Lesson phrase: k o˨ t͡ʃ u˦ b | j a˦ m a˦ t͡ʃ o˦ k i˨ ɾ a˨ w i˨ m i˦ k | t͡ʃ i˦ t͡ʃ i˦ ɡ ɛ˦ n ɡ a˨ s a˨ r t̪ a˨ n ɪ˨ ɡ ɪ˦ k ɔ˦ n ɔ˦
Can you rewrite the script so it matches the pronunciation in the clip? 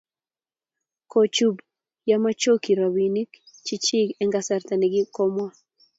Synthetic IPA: k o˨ t͡ʃ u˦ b | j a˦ m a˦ t͡ʃ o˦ k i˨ ɾ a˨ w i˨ n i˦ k | t͡ʃ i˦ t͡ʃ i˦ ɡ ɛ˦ ŋ ɡ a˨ s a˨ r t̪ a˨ n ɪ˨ ɡ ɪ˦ k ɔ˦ m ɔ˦